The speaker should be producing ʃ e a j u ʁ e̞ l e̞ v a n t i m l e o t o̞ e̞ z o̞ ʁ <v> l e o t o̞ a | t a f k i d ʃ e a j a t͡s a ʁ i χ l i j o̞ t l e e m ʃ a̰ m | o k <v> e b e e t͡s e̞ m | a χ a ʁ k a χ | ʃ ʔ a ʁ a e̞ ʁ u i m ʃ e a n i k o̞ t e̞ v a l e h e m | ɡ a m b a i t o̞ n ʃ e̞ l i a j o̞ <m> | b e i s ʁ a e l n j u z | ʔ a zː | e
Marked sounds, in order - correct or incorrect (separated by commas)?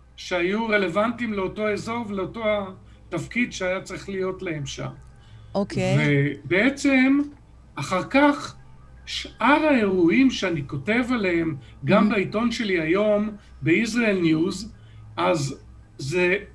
correct, correct, correct